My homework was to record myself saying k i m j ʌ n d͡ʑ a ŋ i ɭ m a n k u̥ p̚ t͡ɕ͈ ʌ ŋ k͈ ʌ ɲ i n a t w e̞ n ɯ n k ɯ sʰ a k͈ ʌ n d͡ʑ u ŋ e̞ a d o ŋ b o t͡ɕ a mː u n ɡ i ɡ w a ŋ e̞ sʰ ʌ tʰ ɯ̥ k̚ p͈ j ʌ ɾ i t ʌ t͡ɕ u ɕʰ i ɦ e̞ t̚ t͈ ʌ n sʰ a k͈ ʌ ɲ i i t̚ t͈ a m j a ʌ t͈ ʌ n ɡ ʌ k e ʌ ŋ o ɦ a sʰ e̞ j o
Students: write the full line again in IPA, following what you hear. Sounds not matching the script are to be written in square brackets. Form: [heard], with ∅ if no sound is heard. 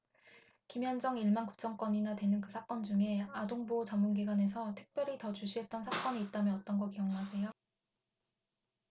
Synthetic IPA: k i m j ʌ n d͡ʑ [ʌ] ŋ i ɭ m a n k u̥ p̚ t͡ɕ͈ ʌ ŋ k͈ ʌ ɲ i n a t w e̞ n ɯ n k ɯ sʰ a k͈ ʌ n d͡ʑ u ŋ e̞ a d o ŋ b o t͡ɕ a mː u n ɡ i ɡ w a [n] e̞ sʰ ʌ tʰ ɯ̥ k̚ p͈ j ʌ ɾ i t ʌ t͡ɕ u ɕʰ i ɦ e̞ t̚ t͈ ʌ n sʰ a k͈ ʌ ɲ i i t̚ t͈ a m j [ʌ] ʌ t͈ ʌ n ɡ ʌ k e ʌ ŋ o ɦ a sʰ e̞ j o